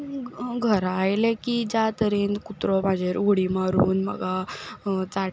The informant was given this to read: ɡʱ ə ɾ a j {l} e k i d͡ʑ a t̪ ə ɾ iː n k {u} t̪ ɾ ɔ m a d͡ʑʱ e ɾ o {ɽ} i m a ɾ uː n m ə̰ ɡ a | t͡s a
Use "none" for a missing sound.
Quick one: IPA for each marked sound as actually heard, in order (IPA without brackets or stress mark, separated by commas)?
l, u, ɽ